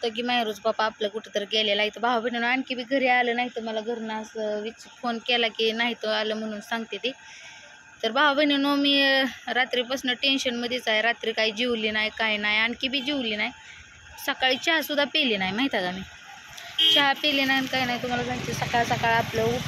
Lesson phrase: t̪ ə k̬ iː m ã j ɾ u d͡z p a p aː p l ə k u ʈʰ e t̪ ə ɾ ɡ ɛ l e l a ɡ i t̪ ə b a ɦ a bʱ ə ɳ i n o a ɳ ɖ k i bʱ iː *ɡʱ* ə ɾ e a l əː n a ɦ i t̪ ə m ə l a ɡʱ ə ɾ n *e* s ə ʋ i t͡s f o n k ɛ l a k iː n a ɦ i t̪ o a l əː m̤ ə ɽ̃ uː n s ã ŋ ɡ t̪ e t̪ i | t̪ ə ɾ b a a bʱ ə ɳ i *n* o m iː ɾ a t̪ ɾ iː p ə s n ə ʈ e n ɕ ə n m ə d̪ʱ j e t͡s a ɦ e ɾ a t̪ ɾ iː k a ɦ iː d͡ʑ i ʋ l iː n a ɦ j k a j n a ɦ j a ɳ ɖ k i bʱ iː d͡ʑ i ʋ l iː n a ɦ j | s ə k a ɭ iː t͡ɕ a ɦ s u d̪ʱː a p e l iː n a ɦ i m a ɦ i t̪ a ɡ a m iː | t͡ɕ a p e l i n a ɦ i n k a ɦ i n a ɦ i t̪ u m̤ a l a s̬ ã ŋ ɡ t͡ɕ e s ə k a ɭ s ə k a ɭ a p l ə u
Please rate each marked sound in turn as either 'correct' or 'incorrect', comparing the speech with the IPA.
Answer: correct, incorrect, correct

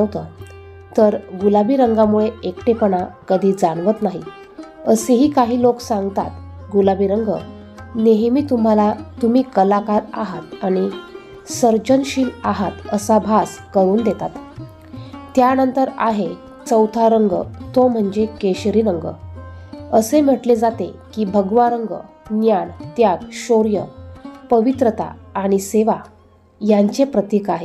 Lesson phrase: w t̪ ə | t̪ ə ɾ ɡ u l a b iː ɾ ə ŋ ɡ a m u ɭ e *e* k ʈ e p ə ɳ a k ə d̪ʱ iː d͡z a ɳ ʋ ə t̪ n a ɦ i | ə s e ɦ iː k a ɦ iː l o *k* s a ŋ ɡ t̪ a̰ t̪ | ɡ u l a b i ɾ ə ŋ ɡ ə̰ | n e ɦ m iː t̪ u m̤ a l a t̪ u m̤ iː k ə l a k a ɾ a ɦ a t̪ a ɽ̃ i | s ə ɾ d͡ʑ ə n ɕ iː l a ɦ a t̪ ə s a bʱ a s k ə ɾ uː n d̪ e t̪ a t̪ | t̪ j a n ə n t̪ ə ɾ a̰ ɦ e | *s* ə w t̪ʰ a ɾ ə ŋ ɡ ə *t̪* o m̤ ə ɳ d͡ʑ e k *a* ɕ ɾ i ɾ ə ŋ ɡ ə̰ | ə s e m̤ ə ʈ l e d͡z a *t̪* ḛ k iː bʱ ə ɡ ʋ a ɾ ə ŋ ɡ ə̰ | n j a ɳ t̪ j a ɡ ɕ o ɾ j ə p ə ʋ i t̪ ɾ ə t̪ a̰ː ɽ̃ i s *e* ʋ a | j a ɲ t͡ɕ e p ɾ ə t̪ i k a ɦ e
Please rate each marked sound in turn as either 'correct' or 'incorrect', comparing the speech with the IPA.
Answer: correct, correct, incorrect, correct, incorrect, correct, correct

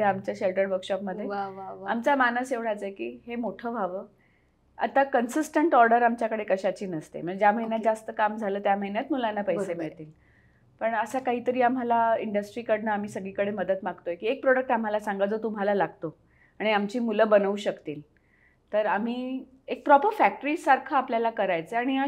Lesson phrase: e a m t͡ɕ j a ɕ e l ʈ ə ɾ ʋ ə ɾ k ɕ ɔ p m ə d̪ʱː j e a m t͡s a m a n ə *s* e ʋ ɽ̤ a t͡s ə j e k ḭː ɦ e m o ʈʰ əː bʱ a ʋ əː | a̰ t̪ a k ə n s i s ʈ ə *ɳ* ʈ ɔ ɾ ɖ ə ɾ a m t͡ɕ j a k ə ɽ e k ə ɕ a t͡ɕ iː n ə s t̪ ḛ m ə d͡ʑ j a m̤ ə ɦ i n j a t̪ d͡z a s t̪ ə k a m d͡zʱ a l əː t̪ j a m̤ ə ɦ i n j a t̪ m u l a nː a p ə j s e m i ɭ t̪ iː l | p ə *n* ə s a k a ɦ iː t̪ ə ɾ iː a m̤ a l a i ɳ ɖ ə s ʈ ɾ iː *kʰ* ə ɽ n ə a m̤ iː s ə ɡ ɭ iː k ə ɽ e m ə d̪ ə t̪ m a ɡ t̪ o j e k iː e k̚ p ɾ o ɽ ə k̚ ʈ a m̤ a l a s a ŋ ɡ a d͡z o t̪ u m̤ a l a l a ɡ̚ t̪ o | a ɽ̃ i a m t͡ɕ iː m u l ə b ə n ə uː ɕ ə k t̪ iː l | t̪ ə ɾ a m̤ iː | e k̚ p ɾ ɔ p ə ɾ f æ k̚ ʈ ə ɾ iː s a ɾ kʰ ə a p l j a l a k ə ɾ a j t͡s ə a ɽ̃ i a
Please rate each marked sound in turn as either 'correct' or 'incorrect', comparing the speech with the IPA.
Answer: correct, correct, incorrect, incorrect

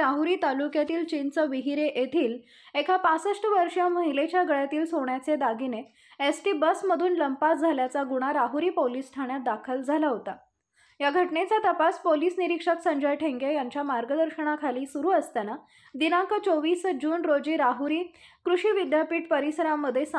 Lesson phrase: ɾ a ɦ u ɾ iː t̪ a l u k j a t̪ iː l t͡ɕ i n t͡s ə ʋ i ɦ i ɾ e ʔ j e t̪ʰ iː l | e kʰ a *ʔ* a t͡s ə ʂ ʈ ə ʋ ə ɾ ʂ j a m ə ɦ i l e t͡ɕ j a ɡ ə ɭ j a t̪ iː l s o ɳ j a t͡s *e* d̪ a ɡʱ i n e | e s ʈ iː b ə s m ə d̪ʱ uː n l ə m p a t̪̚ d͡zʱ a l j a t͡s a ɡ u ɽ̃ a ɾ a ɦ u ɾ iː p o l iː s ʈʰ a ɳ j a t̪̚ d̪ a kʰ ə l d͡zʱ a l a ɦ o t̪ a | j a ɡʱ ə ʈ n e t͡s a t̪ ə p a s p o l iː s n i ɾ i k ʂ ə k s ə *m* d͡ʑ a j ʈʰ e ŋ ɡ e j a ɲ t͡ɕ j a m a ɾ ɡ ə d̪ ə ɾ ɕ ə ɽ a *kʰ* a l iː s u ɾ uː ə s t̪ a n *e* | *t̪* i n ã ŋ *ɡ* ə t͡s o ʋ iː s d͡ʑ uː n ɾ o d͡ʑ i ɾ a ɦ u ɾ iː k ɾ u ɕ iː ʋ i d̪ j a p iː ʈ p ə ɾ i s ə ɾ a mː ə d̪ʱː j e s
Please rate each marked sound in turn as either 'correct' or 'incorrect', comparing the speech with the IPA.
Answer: incorrect, correct, incorrect, correct, incorrect, incorrect, incorrect

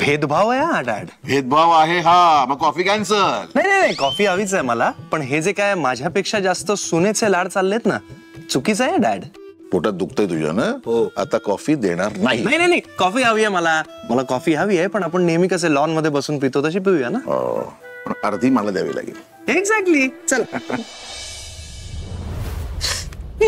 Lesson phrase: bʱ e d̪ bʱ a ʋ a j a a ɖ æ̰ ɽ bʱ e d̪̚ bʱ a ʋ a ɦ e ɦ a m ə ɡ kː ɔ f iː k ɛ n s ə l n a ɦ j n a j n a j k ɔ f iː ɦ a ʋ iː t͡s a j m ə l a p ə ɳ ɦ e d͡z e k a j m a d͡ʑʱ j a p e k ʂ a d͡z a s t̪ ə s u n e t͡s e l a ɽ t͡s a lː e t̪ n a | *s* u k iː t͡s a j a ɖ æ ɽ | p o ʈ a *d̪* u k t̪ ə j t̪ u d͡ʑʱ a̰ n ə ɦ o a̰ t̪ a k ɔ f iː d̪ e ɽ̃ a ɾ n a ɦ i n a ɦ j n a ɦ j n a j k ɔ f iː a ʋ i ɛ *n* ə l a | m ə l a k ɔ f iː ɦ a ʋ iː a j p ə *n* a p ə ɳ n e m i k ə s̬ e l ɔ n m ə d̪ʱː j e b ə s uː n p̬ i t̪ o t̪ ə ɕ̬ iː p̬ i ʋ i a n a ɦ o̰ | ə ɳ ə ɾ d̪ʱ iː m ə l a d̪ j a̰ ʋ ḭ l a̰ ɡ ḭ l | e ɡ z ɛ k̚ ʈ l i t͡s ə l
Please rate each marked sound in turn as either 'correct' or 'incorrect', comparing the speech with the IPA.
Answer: incorrect, correct, incorrect, incorrect

